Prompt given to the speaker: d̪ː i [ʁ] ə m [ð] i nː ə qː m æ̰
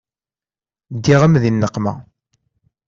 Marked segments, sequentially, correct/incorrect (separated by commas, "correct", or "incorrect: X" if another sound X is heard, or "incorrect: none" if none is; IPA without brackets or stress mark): correct, correct